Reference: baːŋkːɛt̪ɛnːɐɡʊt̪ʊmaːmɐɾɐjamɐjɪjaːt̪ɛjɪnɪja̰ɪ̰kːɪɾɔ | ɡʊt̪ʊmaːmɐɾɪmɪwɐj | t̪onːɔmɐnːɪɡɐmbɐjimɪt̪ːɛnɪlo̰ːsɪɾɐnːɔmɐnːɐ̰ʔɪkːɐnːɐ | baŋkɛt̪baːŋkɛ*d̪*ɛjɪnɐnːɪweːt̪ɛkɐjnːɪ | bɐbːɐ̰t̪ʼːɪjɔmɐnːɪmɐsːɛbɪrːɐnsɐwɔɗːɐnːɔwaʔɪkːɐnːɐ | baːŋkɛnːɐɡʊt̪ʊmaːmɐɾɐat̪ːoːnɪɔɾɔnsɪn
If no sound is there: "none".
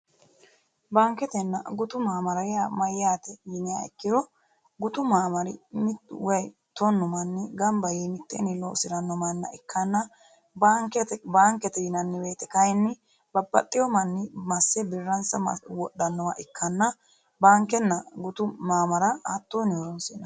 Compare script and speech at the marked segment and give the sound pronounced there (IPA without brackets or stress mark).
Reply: t̪